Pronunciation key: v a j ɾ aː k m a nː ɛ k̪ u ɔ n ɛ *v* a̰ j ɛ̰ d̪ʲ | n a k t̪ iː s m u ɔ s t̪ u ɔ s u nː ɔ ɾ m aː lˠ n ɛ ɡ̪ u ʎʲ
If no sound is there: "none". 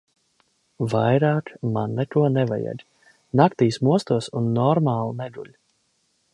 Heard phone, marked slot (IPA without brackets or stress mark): v